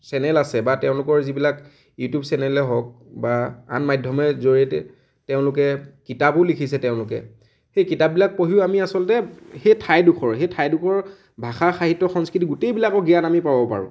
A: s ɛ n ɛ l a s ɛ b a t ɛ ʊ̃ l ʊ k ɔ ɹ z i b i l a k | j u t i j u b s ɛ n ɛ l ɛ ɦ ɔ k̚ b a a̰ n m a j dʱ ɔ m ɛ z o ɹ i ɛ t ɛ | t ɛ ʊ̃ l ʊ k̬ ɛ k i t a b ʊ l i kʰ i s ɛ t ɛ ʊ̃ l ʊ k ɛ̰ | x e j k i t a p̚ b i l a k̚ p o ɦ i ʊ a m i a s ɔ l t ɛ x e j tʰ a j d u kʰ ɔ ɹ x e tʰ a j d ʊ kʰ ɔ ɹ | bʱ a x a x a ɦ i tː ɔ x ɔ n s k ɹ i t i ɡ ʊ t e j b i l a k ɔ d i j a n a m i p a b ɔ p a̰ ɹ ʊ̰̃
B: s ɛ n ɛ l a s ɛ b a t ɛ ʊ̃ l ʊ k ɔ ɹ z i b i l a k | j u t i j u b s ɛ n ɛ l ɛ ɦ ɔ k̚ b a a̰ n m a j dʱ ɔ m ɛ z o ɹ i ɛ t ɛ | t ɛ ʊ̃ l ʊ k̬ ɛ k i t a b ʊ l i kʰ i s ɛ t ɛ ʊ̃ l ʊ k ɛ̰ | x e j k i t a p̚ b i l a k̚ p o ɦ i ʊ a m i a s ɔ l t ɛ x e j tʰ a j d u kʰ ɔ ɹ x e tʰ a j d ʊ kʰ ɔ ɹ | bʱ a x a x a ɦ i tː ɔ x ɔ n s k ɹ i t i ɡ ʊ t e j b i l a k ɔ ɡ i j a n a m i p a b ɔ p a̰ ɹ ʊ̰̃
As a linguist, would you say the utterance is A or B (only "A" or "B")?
B